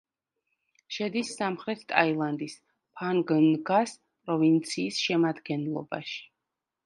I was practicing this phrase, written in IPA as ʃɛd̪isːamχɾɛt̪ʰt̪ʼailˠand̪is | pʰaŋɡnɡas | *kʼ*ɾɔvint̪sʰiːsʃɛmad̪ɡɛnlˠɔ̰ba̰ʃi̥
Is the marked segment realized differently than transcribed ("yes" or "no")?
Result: yes